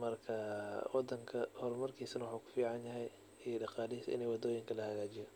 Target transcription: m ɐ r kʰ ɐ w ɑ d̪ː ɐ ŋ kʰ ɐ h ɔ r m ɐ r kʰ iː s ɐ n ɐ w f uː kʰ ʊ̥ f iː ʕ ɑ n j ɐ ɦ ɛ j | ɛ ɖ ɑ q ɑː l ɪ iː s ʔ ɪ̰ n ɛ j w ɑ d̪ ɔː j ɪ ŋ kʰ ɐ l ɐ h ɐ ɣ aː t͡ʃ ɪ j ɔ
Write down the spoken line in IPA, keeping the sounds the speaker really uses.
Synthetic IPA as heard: m ɐ r kʰ ɐ w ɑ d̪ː ɐ ŋ kʰ ɐ h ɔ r m ɐ r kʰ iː s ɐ n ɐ w ħ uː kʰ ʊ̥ f iː ʕ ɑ n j ɐ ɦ ɛ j | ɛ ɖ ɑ q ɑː l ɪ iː s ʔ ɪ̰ n ɛ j w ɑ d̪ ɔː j ɪ ŋ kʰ ɐ l ɐ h ɐ ɣ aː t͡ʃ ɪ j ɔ